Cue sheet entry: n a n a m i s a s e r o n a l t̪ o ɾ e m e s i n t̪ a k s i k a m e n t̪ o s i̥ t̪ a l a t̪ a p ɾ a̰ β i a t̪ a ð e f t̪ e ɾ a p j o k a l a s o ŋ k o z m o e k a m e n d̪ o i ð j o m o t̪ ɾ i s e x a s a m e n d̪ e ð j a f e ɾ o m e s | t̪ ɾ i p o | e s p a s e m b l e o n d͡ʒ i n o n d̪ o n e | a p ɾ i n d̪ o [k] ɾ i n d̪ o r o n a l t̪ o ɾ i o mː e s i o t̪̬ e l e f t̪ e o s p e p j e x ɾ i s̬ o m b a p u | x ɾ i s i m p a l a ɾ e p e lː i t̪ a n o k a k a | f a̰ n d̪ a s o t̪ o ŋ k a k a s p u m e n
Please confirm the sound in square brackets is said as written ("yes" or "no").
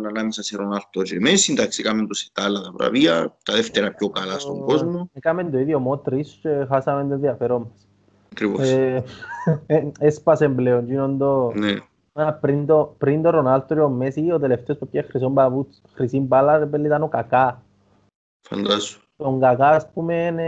no